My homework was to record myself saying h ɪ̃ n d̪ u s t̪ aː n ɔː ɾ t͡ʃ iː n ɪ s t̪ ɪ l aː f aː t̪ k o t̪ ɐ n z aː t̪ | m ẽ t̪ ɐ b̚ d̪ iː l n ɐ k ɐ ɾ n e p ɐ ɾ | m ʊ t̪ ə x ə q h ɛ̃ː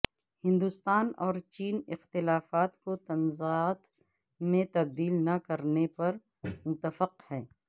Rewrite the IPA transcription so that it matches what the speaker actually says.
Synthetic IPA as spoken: h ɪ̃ n d̪ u s t̪ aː n ɔː ɾ t͡ʃ iː n ɪ x t̪ ɪ l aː f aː t̪ k o t̪ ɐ n z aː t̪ | m ẽ t̪ ɐ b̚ d̪ iː l n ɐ k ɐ ɾ n e p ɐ ɾ | m ʊ t̪ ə f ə q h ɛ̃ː